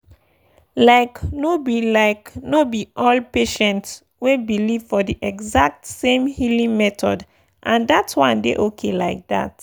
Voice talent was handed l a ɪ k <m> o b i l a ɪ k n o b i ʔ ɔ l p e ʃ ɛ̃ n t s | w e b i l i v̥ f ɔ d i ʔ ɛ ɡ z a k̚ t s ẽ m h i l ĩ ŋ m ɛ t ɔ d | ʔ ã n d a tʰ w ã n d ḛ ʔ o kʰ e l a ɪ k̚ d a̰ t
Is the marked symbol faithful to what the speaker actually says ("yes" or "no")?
no